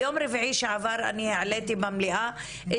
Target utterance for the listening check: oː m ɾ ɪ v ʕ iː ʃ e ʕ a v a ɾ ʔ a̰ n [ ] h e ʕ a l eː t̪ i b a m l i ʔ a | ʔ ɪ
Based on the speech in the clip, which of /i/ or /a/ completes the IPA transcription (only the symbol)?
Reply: i